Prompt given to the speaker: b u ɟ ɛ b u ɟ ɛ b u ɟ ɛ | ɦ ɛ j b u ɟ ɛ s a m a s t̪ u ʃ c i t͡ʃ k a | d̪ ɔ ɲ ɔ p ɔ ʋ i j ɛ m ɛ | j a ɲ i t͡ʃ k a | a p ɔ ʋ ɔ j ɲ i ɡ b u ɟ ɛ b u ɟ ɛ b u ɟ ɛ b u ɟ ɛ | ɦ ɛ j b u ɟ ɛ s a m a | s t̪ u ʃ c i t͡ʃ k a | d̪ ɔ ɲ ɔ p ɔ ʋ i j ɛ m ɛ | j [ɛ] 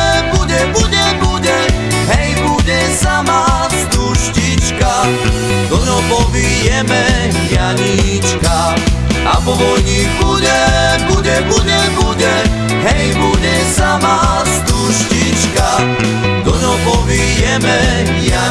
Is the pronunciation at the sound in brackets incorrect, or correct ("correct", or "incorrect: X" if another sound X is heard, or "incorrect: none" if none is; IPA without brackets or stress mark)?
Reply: incorrect: a